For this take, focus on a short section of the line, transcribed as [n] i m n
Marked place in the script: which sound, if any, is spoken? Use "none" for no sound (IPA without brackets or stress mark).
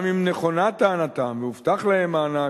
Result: m